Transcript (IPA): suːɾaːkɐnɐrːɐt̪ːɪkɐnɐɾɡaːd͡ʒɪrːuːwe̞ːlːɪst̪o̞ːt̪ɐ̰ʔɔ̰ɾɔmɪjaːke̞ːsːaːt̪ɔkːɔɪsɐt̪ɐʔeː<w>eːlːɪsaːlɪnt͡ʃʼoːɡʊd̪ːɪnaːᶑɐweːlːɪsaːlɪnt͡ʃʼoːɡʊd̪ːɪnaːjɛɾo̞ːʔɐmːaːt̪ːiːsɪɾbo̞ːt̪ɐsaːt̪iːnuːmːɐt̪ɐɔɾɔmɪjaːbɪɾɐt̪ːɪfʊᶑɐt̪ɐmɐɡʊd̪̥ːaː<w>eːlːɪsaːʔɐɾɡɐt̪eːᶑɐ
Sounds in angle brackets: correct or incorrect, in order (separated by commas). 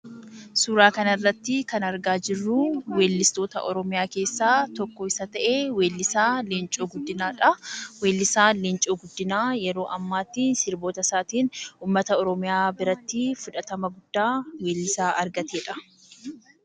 correct, correct